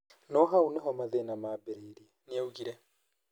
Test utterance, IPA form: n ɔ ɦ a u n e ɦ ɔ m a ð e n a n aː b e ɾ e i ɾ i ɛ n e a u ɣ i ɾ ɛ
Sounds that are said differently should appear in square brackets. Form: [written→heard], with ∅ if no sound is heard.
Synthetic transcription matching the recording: n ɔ ɦ a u n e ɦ ɔ m a ð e n a [n→m] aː b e ɾ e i ɾ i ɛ n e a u ɣ i ɾ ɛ